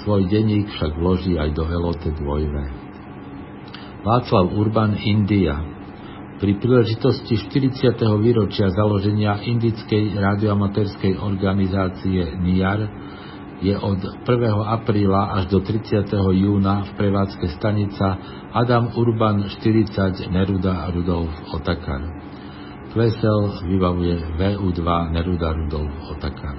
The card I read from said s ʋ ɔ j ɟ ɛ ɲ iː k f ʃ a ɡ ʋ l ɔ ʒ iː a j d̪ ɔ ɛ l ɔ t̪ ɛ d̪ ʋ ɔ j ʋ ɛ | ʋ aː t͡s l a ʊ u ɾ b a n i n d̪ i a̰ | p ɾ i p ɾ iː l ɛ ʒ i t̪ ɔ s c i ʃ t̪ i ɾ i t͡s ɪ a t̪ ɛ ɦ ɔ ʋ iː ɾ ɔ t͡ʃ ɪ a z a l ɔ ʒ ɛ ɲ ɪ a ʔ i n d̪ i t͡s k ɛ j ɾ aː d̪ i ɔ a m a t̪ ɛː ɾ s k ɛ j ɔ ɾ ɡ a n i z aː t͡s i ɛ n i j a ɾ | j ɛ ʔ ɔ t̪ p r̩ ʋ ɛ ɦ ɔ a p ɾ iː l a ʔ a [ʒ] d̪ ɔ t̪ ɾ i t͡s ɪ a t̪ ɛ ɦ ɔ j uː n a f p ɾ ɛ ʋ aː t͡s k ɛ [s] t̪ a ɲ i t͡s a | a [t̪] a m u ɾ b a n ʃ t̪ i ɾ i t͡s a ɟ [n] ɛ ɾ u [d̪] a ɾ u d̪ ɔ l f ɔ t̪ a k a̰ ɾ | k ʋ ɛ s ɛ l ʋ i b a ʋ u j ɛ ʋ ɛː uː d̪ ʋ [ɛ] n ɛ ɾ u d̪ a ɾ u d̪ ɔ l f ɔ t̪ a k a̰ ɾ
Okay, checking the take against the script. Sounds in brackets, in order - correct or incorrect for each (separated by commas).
correct, correct, incorrect, correct, correct, incorrect